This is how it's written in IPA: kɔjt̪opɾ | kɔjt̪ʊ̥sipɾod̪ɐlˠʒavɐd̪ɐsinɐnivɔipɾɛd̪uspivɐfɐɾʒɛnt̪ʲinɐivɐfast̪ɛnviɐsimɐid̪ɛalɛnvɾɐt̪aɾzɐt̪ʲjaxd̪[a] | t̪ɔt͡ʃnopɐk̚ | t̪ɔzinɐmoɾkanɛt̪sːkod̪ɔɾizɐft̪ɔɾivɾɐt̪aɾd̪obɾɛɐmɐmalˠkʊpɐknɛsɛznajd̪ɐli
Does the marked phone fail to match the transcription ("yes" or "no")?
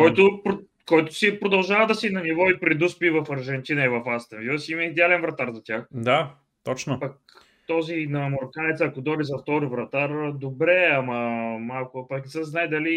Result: no